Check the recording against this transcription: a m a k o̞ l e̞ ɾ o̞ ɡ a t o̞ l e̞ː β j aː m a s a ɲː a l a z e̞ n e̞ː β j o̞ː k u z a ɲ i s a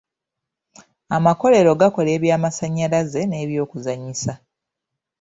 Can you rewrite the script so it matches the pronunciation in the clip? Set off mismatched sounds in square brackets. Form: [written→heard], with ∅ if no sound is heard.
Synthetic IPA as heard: a m a k o̞ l e̞ ɾ o̞ ɡ a [t→k] o̞ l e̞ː β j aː m a s a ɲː a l a z e̞ n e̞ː β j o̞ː k u z a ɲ i s a